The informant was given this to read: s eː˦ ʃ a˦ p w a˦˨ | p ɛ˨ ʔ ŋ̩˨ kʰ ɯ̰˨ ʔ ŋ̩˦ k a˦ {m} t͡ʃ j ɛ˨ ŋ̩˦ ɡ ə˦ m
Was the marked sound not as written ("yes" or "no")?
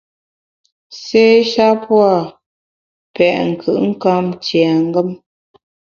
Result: no